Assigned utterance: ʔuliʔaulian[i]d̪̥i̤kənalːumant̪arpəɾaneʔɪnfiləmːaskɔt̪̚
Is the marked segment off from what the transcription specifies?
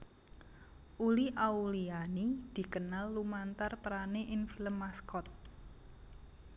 no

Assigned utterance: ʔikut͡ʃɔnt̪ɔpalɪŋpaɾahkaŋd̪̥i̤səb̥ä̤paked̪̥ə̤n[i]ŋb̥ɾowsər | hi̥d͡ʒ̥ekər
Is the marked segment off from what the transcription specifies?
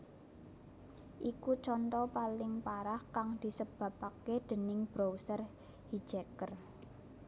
yes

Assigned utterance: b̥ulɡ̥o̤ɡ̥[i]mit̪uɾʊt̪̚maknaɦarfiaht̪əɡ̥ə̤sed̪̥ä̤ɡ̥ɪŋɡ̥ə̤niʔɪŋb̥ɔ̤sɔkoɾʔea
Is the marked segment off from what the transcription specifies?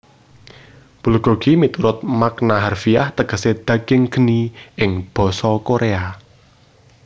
no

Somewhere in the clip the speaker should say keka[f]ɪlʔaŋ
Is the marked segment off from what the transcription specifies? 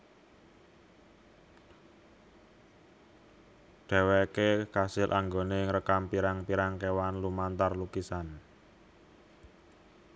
yes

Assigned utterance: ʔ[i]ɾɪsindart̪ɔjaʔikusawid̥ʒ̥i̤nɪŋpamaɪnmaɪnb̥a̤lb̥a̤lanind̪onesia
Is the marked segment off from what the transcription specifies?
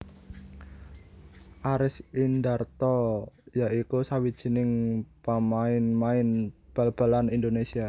yes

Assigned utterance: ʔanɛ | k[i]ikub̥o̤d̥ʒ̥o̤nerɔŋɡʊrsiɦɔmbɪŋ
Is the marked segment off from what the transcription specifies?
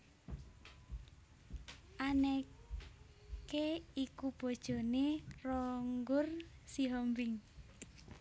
yes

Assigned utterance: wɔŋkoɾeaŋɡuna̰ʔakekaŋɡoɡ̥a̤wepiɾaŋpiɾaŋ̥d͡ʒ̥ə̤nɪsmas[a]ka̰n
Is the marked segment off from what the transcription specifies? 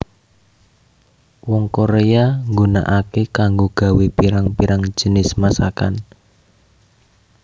no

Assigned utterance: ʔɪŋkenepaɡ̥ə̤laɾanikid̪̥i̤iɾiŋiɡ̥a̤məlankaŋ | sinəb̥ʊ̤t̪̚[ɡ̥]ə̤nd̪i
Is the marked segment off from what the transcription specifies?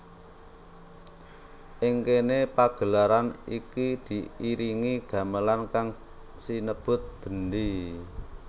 yes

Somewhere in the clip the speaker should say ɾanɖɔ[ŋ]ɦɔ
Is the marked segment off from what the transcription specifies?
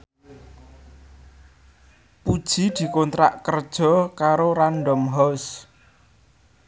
yes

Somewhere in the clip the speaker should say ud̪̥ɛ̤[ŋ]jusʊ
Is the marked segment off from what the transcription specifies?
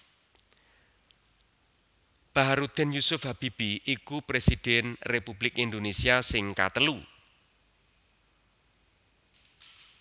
yes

